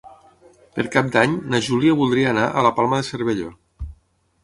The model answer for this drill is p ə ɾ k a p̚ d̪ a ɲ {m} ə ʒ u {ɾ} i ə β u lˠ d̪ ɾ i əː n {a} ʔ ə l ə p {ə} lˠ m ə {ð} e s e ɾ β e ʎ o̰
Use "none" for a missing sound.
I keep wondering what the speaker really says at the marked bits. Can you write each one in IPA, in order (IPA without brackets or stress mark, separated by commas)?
n, l, a, a, ð